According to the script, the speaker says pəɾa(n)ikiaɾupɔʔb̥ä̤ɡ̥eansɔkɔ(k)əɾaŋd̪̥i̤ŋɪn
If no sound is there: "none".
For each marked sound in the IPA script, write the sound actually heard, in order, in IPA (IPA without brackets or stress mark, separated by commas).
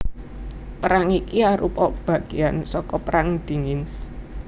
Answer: ŋ, p